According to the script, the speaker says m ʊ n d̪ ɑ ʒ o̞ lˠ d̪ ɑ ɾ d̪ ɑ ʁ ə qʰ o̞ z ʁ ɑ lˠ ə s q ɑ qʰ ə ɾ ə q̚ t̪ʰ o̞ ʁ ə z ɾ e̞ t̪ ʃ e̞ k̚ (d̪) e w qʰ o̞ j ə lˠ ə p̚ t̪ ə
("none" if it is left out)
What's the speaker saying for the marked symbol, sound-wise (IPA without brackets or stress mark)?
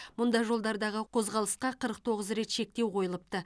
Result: t̪